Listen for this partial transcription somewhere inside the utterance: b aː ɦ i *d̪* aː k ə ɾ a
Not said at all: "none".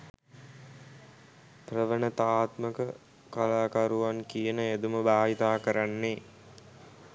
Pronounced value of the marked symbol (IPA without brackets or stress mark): t̪